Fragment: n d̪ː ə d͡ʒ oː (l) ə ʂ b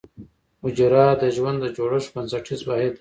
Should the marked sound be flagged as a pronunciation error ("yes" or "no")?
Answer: yes